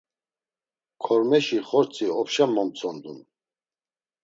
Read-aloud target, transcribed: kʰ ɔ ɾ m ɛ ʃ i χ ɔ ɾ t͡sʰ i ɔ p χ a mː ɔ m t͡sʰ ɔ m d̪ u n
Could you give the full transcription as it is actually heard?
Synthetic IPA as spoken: kʰ ɔ ɾ m ɛ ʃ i χ ɔ ɾ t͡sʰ i ɔ p ʃ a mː ɔ m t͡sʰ ɔ n d̪ u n